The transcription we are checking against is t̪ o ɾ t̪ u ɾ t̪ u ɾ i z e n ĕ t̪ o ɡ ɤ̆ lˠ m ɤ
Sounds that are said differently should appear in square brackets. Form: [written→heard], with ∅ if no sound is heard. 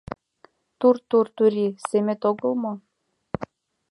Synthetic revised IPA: t̪ [o→u] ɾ t̪ u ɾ t̪ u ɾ i [z→s] e [n→m] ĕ t̪ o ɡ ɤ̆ lˠ m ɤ